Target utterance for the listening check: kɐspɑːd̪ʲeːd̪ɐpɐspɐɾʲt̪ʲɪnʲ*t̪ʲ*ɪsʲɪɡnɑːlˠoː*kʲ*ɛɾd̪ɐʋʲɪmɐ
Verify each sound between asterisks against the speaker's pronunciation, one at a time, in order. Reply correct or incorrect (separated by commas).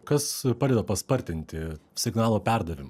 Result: correct, incorrect